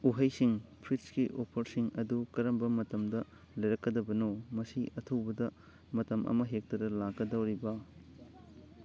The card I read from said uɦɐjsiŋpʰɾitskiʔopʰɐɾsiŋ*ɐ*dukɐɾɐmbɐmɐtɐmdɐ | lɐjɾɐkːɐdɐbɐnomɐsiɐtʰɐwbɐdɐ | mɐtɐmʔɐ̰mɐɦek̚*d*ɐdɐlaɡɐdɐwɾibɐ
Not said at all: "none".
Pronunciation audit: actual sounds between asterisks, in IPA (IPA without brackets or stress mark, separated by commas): ɐ, t